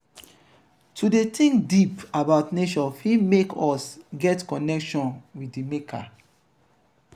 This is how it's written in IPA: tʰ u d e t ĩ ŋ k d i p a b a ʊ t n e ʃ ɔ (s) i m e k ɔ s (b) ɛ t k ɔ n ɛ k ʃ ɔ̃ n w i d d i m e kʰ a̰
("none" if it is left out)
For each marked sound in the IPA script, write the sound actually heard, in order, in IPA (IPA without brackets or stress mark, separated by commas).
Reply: f, ɡ